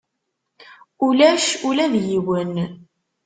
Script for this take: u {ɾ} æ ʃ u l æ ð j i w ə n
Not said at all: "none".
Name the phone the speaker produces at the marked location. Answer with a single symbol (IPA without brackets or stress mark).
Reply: l